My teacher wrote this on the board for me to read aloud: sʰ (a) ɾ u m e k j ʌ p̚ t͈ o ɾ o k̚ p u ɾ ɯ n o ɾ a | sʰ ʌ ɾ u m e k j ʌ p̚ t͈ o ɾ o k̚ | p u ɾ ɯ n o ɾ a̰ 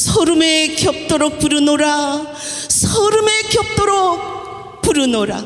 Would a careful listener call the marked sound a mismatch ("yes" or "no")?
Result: yes